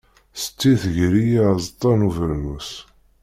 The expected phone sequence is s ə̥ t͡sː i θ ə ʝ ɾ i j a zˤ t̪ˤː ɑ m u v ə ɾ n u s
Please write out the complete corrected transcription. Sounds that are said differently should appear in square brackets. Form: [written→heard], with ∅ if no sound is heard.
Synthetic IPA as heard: s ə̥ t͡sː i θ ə ʝ ɾ i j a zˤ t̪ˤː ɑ [m→n] u v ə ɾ n u s